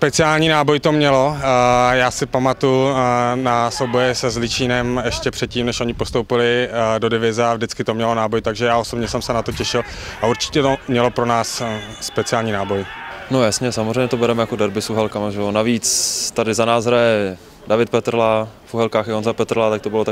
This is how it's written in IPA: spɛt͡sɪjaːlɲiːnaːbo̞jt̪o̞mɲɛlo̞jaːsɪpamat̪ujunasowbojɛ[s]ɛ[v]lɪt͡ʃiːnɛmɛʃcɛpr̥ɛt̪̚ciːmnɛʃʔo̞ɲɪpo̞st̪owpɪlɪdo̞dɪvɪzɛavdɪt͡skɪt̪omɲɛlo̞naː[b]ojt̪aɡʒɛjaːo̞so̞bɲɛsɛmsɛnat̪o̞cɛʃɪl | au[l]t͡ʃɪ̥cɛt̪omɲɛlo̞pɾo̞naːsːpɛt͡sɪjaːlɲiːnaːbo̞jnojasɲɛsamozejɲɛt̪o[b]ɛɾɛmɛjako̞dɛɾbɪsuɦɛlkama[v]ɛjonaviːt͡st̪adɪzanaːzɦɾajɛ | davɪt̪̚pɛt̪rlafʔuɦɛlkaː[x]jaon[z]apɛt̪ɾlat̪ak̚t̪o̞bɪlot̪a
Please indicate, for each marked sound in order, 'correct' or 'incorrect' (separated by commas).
correct, incorrect, correct, incorrect, correct, incorrect, correct, correct